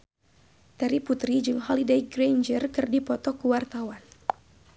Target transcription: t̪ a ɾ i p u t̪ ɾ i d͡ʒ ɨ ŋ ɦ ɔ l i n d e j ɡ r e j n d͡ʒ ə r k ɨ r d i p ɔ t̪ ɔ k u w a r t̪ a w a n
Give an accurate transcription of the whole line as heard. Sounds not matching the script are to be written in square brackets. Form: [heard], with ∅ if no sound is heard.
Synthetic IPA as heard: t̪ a ɾ i p u t̪ ɾ i d͡ʒ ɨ ŋ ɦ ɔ l i [∅] d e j ɡ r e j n d͡ʒ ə r k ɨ r d i p ɔ t̪ ɔ k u w a r t̪ a w a n

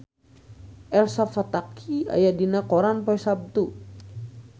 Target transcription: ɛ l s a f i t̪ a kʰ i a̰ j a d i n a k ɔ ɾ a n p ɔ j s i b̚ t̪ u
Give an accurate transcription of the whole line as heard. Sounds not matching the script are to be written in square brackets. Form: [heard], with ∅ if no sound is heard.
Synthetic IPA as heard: ɛ l s a f [a] t̪ a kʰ i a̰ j a d i n a k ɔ ɾ a n p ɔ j s [a] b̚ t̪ u

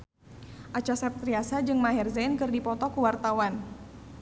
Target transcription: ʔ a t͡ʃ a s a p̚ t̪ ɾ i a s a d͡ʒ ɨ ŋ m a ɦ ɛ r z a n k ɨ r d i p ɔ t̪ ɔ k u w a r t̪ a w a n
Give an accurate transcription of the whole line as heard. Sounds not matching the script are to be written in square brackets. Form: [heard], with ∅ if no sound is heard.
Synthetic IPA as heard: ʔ a t͡ʃ a s a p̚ t̪ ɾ i a s a d͡ʒ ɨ ŋ m a ɦ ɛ r z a n k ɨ r d i p ɔ t̪ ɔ k u w a r t̪ a w a n

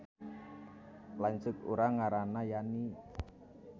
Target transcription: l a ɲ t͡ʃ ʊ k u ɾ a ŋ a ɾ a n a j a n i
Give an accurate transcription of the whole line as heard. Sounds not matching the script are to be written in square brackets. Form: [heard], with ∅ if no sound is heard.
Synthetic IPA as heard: l a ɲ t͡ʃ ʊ k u ɾ a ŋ a ɾ a n a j a n i

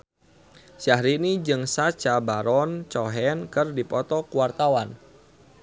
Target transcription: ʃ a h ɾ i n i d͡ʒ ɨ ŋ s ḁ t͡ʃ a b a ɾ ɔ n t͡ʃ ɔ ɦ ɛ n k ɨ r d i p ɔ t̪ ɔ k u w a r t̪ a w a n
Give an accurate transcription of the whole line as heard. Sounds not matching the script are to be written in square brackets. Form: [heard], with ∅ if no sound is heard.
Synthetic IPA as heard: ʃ a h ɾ i n i d͡ʒ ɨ ŋ s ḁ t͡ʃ a b a ɾ ɔ n t͡ʃ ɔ ɦ ɛ n k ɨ r d i p ɔ t̪ ɔ k u w a r t̪ a w a n

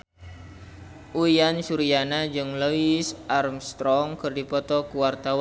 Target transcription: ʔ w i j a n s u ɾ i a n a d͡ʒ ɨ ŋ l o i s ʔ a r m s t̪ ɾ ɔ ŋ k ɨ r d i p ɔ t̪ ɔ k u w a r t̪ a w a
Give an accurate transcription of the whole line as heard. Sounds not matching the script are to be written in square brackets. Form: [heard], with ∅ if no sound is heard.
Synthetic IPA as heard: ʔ [u] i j a n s u ɾ i a n a d͡ʒ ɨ ŋ l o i s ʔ a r m s t̪ ɾ ɔ ŋ k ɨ r d i p ɔ t̪ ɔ k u w a r t̪ a w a

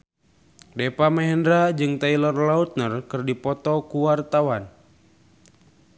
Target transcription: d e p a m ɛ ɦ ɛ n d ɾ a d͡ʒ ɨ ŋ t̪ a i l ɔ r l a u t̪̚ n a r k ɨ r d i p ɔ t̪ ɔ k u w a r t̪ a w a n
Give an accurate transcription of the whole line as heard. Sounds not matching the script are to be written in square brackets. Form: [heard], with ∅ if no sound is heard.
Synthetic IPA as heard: d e p a m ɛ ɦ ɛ n d ɾ a d͡ʒ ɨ ŋ t̪ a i l ɔ r l a u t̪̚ n [ə] r k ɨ r d i p ɔ t̪ ɔ k u w a r t̪ a w a n

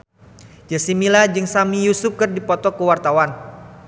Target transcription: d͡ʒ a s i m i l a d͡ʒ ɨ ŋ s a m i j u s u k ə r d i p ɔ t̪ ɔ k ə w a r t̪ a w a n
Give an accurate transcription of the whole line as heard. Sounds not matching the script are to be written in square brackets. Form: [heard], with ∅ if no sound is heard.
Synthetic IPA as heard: d͡ʒ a s i m i l a d͡ʒ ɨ ŋ s a m i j u s u k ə r d i p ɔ t̪ ɔ k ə w a r t̪ a w a n

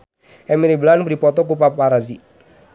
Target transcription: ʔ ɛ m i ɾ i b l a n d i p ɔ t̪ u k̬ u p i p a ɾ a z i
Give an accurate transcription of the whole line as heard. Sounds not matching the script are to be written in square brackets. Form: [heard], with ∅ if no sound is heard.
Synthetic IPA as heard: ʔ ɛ m i ɾ i b l a n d i p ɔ t̪ [ɔ] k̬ u p [a] p a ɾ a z i

